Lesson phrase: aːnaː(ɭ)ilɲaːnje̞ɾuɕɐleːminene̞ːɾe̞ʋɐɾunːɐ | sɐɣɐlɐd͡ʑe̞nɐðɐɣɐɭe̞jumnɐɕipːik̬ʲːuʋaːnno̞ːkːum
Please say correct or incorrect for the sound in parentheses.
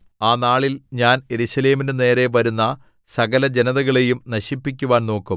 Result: correct